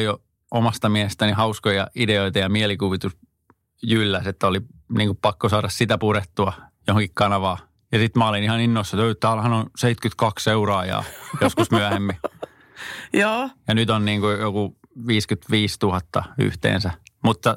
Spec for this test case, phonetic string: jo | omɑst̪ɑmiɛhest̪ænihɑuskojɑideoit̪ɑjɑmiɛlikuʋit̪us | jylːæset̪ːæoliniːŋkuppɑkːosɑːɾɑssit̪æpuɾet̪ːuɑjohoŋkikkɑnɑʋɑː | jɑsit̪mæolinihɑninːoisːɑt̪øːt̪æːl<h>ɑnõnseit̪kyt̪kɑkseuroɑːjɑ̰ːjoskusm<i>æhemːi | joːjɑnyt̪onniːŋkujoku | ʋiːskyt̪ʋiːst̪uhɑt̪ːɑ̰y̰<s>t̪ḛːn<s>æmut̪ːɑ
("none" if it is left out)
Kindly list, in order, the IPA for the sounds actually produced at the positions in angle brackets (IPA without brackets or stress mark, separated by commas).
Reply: h, y, h, s